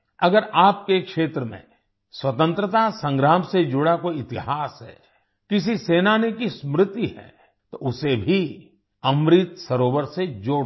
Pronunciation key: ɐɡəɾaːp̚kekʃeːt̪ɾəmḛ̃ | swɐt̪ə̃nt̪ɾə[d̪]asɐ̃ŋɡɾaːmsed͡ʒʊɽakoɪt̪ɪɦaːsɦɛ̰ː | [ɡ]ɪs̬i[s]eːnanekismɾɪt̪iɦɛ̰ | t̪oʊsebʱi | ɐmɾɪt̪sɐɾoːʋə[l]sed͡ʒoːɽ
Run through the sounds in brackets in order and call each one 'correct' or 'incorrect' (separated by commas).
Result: incorrect, incorrect, correct, incorrect